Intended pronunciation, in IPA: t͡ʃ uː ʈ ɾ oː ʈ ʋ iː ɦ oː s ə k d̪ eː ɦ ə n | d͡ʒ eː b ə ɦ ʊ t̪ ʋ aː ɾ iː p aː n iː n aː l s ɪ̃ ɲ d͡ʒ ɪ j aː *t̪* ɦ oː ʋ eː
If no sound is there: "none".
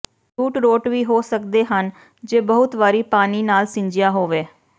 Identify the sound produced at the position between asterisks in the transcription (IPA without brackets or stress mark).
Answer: none